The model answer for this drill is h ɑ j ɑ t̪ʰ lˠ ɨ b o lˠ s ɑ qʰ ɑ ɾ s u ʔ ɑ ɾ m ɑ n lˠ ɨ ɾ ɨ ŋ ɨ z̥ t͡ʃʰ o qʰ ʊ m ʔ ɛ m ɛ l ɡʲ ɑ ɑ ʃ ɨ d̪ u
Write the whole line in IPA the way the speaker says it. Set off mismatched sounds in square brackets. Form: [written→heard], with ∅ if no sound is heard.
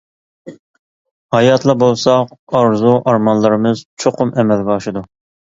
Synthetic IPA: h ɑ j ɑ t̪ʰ lˠ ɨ b o lˠ s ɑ [qʰ→q] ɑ ɾ [s→z] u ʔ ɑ ɾ m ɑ n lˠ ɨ ɾ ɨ [ŋ→m] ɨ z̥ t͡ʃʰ o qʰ ʊ m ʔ ɛ m ɛ l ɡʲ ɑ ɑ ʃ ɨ d̪ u